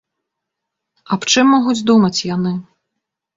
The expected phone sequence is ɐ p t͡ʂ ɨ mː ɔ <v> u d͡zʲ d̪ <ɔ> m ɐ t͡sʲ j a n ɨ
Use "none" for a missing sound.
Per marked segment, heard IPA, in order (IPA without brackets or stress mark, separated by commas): ɣ, u